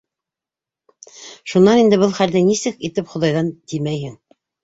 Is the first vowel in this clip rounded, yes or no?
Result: yes